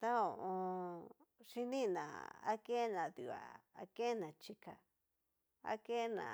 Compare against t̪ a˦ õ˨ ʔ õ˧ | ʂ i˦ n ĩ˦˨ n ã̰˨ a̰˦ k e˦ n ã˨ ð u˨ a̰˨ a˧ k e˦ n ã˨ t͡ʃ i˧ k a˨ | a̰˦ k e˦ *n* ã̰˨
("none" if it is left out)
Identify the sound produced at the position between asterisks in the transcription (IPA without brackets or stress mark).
n